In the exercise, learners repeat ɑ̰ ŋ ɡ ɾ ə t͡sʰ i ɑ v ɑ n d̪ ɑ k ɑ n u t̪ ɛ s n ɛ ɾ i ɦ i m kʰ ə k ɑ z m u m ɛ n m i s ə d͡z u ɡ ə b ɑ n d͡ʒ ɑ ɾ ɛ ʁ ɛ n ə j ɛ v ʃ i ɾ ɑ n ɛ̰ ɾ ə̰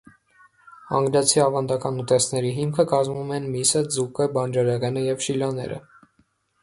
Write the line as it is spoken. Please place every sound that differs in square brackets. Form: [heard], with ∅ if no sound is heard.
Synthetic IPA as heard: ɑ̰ ŋ ɡ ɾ [ɑ] t͡sʰ i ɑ v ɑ n d̪ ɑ k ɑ n u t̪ ɛ s n ɛ ɾ i ɦ i m kʰ ə k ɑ z m u m ɛ n m i s ə d͡z u [k] ə b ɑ n d͡ʒ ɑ ɾ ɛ ʁ ɛ n ə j ɛ v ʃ i [l] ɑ n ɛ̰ ɾ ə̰